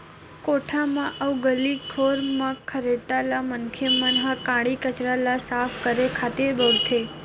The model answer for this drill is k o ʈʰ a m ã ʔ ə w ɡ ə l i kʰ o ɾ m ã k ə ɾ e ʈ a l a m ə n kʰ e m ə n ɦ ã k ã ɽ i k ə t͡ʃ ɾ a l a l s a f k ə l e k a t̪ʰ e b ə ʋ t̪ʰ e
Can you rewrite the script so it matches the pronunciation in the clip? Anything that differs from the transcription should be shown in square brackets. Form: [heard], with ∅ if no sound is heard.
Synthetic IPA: k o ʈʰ a m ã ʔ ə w ɡ ə l i kʰ o ɾ m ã [kʰ] ə ɾ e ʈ a l a m ə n kʰ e m ə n ɦ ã k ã ɽ i k ə t͡ʃ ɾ a l a [∅] s a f k ə [ɾ] e [kʰ] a [t̪] e b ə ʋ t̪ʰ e

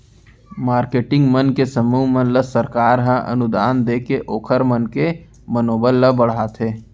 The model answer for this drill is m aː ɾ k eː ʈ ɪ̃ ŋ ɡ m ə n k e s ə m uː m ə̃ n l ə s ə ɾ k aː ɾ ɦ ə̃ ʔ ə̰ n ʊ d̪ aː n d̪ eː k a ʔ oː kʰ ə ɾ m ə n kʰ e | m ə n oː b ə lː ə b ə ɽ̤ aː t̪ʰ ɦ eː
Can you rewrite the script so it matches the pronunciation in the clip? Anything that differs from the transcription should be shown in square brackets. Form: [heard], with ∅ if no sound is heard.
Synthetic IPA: m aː ɾ k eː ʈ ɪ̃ ŋ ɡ m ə n k e s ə m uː m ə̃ n l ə s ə ɾ k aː ɾ ɦ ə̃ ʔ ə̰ n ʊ d̪ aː n d̪ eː k [e] ʔ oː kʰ ə ɾ m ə n [k] e | m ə n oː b ə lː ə b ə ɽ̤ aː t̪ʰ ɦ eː

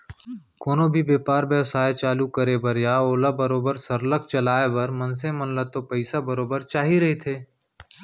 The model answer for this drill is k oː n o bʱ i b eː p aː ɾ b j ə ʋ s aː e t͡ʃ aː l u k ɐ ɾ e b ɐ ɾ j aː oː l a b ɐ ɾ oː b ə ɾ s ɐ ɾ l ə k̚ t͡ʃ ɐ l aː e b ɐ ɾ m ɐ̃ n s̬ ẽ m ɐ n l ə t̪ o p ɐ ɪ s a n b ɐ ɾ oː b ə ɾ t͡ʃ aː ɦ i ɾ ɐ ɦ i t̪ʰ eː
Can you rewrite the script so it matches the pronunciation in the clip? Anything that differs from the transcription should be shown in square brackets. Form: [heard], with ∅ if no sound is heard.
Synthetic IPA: k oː n o bʱ i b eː p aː ɾ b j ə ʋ s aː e t͡ʃ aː l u k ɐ ɾ e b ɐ ɾ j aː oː l a b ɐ ɾ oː b ə ɾ s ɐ ɾ l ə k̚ t͡ʃ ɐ l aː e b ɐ ɾ m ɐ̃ n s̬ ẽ m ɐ n l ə t̪ o p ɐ ɪ s a [∅] b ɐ ɾ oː b ə ɾ t͡ʃ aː ɦ i ɾ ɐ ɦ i t̪ʰ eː

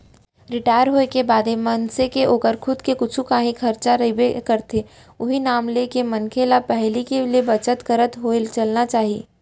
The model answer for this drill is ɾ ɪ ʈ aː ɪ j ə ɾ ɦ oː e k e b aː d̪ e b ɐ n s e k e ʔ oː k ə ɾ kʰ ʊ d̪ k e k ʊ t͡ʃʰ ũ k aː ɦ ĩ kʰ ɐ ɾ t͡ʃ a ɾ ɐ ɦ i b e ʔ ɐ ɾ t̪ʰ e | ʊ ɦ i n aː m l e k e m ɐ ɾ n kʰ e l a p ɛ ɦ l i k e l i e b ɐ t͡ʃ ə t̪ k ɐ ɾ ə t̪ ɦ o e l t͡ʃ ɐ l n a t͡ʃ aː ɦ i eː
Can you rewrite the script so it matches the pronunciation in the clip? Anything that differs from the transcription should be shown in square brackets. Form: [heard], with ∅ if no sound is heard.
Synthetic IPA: ɾ ɪ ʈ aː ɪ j ə ɾ ɦ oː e k e b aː d̪ e [m] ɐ n s e k e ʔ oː k ə ɾ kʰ ʊ d̪ k e k ʊ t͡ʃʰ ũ k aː ɦ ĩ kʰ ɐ ɾ t͡ʃ a ɾ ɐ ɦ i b e [k] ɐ ɾ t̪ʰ e | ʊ ɦ i n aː m l e k e m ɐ [∅] n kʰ e l a p ɛ ɦ l i k e l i e b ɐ t͡ʃ ə t̪ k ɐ ɾ ə t̪ ɦ o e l t͡ʃ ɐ l n a t͡ʃ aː ɦ i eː

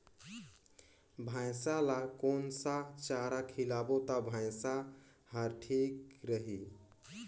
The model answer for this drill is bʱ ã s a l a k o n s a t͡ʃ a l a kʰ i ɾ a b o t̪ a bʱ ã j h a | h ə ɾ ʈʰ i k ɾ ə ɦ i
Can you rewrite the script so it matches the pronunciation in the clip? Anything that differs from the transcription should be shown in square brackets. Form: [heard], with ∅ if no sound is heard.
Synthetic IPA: bʱ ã s a l a k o n s a t͡ʃ a [ɾ] a kʰ i [l] a b o t̪ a bʱ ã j [s] a | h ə ɾ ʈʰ i k ɾ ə ɦ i

